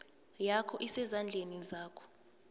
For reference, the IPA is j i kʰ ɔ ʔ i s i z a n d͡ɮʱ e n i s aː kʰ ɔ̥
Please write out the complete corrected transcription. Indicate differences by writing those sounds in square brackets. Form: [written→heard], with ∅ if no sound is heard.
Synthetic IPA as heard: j [i→a] kʰ ɔ ʔ i s [i→ɛ] z a n d͡ɮʱ e n i [s→z] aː kʰ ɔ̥

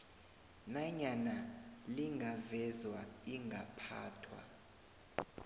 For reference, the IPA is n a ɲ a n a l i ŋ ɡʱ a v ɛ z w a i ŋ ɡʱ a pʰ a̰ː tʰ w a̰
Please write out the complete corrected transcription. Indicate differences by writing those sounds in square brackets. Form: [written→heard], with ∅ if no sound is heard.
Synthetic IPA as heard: n a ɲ a n a l i ŋ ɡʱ a v ɛ z w a i ŋ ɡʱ a pʰ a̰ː tʰ w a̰

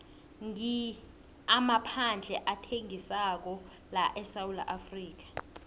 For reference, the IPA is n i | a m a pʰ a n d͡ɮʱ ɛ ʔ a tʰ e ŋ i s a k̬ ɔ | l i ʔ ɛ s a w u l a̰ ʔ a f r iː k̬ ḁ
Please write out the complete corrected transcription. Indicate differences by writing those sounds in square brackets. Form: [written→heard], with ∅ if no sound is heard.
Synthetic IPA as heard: [n→ŋ] i | a m a pʰ a n d͡ɮʱ ɛ ʔ a tʰ e ŋ i s a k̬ ɔ | l [i→a] ʔ ɛ s a w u l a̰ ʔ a f r iː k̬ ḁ

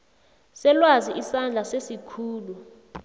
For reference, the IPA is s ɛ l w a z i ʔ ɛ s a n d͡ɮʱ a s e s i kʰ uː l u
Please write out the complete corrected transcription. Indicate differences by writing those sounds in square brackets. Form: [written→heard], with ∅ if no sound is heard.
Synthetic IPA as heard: s ɛ l w a z i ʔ [ɛ→i] s a n d͡ɮʱ a s e s i kʰ uː l u

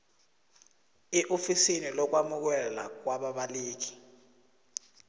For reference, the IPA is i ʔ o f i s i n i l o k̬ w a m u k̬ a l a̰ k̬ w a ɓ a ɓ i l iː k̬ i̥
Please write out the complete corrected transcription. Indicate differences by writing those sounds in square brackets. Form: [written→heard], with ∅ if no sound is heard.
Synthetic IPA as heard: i ʔ o f i s i n i l [o→ɔ] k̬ w a m u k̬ [a→ɛ] l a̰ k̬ w a ɓ a ɓ [i→a] l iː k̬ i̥

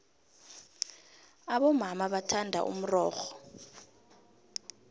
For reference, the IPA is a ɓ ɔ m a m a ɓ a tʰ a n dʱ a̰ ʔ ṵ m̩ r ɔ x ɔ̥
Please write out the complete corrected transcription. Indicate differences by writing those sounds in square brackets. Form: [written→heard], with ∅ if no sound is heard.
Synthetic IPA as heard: a ɓ ɔ m a m a ɓ a tʰ a n dʱ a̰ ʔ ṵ m̩ r [ɔ→ɔː] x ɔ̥

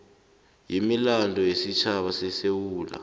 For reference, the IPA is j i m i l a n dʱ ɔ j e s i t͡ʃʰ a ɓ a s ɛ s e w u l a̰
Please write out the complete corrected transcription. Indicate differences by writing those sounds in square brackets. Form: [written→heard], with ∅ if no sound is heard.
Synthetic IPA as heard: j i m i l a n dʱ ɔ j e s i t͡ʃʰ a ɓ a s ɛ s e w [u→uː] l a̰

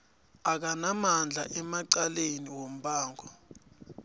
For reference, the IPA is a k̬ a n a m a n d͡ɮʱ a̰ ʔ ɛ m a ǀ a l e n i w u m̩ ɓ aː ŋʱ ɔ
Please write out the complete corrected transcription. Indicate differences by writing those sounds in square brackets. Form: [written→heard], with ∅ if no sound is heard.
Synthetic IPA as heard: a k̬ a n a m a n d͡ɮʱ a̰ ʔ ɛ m a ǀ a l e n i w [u→o] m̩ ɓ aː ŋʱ ɔ

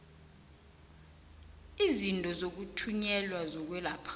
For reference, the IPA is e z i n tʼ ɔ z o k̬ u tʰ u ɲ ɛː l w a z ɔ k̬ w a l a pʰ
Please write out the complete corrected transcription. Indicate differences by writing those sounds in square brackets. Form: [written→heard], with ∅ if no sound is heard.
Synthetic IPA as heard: [e→i] z i n tʼ ɔ z o k̬ u tʰ u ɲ [ɛː→ɛ] l w a z ɔ k̬ w [a→ɛ] l a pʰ

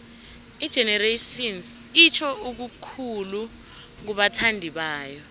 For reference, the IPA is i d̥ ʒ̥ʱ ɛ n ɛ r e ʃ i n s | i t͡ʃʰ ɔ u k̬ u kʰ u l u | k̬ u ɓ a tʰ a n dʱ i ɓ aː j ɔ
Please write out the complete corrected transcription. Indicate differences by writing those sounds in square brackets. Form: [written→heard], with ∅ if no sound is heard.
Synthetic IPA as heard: i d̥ ʒ̥ʱ ɛ n ɛ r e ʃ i n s | i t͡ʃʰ ɔ u k̬ u kʰ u l u | k̬ u ɓ a tʰ a n dʱ i ɓ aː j ɔ

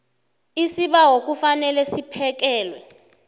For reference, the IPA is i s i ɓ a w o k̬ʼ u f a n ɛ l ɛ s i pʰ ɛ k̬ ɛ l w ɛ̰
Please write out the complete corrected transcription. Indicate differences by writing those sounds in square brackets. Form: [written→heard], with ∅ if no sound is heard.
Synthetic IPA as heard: i s i ɓ a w o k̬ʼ u f a n ɛ l ɛ s i pʰ ɛ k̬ [ɛ→ɛː] l w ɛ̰

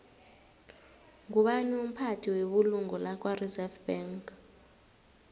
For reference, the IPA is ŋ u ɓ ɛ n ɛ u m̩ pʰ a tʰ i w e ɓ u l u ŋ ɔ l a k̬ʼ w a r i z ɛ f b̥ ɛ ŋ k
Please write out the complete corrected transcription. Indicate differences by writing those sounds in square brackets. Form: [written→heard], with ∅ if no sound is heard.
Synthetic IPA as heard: ŋ u ɓ [ɛ→a] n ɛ u m̩ pʰ a tʰ i w e ɓ u l u ŋ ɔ l a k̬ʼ w a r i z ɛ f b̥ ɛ ŋ k

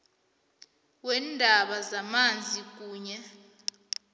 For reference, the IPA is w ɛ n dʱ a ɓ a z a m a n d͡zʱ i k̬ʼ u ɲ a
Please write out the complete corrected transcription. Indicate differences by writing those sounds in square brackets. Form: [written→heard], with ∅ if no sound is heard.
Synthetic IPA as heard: w ɛ n dʱ a ɓ a z a m a n d͡zʱ i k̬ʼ [u→uː] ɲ [a→ɛ]

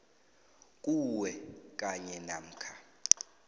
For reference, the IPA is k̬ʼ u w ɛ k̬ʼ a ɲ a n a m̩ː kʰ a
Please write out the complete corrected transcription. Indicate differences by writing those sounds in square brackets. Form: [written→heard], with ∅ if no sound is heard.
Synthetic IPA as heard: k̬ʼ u w ɛ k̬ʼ a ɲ [a→ɛ] n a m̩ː kʰ a

